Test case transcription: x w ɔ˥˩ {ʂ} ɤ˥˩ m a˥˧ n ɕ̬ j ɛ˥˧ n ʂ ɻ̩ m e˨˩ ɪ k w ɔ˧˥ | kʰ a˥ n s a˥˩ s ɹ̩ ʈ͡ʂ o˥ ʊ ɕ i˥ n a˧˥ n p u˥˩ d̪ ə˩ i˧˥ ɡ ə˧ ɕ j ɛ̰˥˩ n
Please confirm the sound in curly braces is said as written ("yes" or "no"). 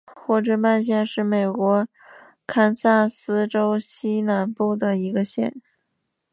no